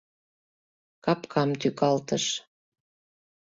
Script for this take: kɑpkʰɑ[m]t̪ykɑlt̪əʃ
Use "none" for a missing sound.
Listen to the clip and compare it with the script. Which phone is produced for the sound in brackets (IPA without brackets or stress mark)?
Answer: m